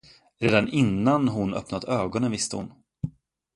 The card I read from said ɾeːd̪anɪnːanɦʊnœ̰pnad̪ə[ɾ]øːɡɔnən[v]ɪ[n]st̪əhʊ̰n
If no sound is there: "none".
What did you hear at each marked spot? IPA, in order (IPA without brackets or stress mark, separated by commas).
none, v, none